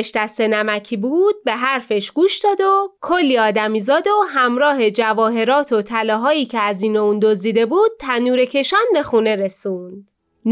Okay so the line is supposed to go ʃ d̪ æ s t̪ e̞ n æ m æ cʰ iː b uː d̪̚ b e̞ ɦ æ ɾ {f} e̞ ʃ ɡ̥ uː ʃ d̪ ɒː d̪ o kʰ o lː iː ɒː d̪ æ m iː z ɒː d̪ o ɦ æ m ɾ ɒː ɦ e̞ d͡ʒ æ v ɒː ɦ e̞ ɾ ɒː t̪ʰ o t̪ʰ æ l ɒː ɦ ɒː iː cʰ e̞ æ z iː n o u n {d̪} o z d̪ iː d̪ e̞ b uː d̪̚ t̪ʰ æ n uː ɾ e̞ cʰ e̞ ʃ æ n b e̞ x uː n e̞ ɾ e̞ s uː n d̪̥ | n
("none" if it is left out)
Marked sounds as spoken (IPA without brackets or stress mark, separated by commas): f, d̪